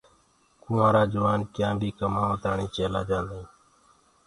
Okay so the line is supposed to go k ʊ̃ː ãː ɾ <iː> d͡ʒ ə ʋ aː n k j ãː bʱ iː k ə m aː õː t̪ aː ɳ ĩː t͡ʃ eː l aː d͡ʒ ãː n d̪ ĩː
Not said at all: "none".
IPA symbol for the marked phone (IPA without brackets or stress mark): aː